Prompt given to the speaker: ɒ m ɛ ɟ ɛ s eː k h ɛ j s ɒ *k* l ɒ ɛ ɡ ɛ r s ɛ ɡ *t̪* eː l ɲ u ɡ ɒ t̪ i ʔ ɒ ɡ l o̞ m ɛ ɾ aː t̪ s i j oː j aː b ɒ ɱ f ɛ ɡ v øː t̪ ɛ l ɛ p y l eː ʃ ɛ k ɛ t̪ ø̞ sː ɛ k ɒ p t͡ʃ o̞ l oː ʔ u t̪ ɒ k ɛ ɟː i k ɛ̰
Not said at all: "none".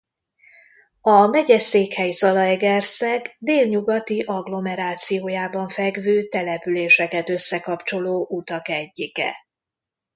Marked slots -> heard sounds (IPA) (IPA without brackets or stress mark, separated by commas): none, d̪